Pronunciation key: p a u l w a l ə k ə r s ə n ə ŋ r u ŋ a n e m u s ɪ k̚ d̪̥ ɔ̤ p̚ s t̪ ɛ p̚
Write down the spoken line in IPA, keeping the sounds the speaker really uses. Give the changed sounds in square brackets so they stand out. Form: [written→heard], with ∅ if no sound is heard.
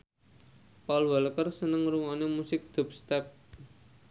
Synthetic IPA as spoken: p a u l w a l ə k ə r s ə n ə ŋ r u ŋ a n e m u s ɪ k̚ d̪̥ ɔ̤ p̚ s t̪ ɛ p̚